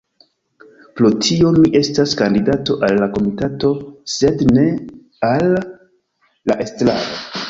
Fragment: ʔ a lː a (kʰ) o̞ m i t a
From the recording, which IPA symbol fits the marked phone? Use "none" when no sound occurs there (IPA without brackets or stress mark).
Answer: k